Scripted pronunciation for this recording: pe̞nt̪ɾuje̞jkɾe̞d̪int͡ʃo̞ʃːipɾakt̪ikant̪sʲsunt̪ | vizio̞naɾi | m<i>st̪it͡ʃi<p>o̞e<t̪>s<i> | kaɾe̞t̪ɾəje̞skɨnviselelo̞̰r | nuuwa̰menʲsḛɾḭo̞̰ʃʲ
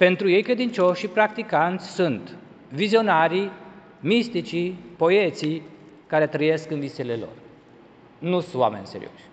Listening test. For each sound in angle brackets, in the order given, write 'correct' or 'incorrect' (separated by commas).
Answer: correct, correct, correct, correct